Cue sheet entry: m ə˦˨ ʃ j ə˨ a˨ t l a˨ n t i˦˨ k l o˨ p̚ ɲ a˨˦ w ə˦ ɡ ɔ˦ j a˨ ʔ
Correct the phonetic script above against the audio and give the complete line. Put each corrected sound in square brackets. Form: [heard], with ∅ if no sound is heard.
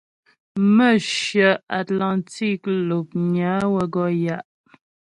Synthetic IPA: m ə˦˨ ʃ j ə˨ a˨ t l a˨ n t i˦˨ k l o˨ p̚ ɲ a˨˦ w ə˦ ɡ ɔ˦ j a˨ ʔ